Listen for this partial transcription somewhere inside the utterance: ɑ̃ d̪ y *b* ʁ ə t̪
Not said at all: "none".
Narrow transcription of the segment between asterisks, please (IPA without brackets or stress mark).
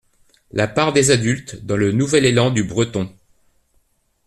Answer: b